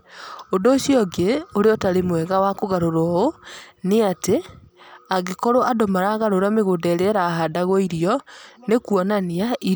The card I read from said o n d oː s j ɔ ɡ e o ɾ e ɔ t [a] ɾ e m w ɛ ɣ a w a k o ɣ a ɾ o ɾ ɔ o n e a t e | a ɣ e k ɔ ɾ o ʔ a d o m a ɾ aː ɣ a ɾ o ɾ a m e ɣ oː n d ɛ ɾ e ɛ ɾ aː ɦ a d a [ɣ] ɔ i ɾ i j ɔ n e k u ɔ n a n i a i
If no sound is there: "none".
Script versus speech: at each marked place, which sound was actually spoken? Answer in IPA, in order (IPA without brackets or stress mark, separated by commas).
a, ɣ